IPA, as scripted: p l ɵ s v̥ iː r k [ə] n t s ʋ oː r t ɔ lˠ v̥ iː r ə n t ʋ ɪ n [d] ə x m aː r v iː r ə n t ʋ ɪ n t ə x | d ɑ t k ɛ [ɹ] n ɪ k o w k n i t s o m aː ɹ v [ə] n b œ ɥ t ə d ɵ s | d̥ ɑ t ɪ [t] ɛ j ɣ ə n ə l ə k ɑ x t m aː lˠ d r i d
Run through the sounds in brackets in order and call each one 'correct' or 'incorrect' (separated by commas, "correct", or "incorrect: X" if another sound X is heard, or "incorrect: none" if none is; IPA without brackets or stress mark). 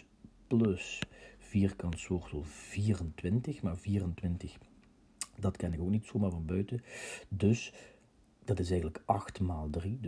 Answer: incorrect: ɑ, incorrect: t, incorrect: none, incorrect: ɑ, incorrect: s